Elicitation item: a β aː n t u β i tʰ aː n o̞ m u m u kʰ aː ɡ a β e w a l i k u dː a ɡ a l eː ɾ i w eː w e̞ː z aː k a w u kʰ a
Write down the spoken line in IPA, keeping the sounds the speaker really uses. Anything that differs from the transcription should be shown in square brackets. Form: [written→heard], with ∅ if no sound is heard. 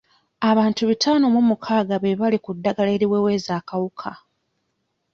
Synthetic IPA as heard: a β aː n t u β i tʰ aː n o̞ m u m u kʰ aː ɡ a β e [w→β] a l i k u dː a ɡ a l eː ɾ i w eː w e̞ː z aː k a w u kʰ a